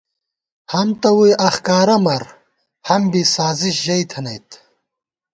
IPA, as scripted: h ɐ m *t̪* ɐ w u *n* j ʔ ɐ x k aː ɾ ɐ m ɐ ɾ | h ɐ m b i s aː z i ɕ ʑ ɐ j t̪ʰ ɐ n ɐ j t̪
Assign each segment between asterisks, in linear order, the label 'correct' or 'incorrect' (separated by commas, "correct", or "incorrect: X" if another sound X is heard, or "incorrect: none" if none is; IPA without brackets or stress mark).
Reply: correct, incorrect: none